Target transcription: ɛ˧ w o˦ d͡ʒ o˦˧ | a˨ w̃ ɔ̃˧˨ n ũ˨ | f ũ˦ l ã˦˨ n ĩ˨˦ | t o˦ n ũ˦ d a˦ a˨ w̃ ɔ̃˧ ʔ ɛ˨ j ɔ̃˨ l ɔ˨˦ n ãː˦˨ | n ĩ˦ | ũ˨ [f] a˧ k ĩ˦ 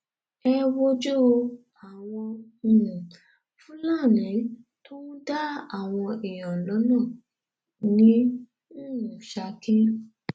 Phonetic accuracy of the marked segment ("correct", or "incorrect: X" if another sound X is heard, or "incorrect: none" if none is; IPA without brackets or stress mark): incorrect: ʃ